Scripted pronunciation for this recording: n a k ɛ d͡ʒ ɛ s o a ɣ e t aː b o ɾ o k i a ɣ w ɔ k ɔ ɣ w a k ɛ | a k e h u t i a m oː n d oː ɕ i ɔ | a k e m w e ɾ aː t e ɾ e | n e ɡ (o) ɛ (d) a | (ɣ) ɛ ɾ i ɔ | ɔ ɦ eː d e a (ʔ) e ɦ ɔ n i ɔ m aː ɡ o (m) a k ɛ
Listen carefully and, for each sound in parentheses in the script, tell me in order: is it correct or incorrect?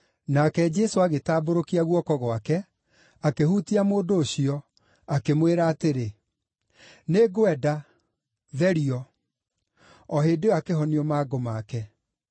correct, correct, incorrect, incorrect, correct

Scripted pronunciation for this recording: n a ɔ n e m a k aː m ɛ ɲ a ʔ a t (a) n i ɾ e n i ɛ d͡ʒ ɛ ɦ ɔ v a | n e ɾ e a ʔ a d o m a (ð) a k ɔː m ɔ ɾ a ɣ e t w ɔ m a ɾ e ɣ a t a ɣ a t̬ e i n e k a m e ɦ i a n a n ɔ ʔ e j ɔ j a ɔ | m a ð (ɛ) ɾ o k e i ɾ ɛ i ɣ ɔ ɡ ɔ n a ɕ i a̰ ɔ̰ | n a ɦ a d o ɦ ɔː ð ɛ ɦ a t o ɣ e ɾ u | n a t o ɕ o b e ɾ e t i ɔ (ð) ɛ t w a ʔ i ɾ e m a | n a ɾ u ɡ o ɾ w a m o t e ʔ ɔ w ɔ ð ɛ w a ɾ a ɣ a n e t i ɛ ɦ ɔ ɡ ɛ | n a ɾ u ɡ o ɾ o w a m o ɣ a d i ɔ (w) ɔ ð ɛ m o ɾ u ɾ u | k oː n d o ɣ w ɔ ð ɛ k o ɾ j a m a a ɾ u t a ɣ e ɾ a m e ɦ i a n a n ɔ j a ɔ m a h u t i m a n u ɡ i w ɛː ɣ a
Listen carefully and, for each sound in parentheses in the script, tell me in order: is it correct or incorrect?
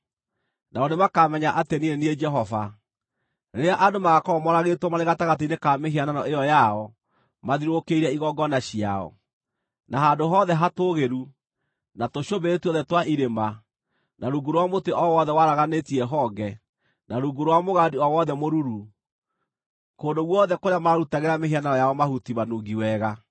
incorrect, incorrect, incorrect, correct, correct

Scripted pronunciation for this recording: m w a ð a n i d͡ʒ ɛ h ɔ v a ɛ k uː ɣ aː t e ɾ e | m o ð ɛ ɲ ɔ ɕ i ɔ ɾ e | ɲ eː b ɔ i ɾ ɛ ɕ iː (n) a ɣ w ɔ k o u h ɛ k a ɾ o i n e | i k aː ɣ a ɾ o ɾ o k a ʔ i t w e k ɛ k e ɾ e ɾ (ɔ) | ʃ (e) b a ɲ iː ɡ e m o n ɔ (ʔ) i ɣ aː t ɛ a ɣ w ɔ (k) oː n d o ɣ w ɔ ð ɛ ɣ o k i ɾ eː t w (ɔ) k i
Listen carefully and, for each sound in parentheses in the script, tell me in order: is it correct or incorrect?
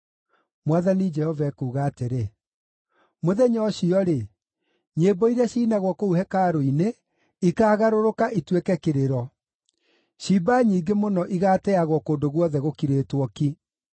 correct, correct, incorrect, correct, correct, correct

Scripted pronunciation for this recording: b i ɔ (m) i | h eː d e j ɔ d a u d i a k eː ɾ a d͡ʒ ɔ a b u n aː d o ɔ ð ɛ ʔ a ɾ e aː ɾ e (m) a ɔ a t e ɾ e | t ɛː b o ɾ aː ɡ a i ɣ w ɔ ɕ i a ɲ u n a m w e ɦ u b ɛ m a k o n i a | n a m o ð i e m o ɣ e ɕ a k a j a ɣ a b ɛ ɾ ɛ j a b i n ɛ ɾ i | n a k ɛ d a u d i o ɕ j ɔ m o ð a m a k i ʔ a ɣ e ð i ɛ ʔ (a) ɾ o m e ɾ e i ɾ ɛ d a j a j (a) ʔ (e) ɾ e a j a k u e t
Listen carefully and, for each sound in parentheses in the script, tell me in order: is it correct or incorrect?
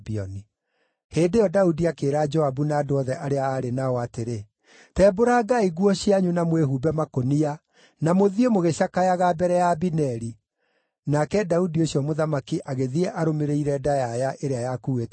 incorrect, incorrect, correct, correct, correct

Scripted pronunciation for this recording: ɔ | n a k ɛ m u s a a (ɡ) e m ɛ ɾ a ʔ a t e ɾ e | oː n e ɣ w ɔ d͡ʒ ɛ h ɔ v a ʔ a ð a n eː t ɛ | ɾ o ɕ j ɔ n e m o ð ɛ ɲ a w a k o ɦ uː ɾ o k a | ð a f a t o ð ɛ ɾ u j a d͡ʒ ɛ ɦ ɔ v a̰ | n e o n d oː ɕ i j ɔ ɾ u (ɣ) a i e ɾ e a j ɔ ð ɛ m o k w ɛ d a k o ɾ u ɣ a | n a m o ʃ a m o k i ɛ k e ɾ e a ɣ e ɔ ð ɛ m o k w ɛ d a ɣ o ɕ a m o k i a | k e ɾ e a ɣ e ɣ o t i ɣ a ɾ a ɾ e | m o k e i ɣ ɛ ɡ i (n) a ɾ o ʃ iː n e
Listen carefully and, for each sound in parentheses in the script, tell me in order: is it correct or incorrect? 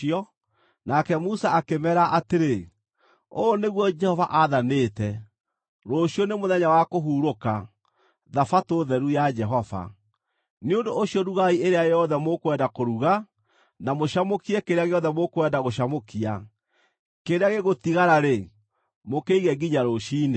incorrect, correct, incorrect

